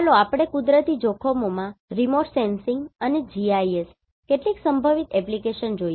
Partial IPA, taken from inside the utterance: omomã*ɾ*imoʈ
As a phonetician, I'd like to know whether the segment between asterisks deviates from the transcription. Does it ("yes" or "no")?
no